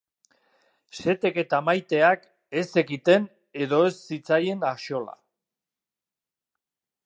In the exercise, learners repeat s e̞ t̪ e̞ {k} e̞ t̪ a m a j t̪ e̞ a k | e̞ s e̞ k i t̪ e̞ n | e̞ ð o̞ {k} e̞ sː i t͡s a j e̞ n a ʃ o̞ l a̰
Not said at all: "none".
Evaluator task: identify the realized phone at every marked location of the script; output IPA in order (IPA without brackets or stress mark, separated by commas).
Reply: k, none